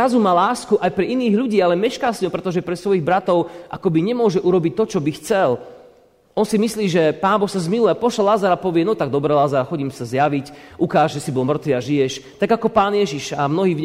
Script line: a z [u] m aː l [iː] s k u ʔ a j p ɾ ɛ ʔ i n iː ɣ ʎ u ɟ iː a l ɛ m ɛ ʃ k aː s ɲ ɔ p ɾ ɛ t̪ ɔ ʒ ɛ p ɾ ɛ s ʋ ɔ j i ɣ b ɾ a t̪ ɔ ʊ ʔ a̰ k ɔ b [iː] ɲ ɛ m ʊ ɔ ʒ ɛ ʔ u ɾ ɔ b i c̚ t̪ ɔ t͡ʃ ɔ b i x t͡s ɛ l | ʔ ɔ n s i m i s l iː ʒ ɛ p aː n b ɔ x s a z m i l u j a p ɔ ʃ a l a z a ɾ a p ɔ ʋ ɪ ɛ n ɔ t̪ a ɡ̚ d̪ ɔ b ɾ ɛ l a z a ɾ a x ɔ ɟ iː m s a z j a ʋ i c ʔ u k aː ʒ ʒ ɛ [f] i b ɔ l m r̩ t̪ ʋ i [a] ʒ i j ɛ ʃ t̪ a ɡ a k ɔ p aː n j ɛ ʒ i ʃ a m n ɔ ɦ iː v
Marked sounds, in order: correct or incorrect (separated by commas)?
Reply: correct, incorrect, incorrect, incorrect, correct